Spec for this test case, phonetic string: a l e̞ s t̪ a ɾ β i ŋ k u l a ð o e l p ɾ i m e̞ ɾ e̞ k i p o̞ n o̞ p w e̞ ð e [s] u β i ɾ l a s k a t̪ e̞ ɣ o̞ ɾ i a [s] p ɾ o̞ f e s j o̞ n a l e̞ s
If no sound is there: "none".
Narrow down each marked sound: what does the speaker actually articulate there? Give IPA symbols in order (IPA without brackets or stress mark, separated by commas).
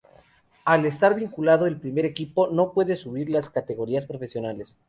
s, s